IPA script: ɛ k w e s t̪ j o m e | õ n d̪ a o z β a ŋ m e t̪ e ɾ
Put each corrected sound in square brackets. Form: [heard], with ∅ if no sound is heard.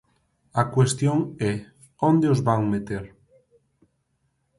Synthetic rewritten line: [a] k w e s t̪ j o [ŋ] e | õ n d̪ [e] o z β a ŋ m e t̪ e ɾ

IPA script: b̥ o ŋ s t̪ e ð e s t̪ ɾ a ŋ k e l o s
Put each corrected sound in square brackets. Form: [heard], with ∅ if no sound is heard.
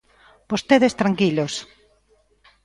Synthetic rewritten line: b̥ o [∅] s t̪ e ð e s t̪ ɾ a ŋ k [i] l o s

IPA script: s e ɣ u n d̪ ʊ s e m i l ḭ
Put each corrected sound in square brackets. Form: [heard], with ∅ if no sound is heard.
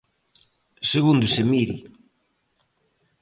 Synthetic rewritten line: s e ɣ u n d̪ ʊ s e m i [ɾ] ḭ

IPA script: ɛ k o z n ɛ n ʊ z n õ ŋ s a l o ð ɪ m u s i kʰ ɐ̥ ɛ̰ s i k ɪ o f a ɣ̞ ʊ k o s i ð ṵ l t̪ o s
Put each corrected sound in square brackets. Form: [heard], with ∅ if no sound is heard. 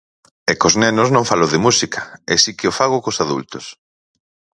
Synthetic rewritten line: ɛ k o z n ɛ n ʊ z n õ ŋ [f] a l o ð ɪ m u s i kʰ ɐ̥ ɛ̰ s i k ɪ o f a ɣ̞ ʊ k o s [a] ð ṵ l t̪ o s

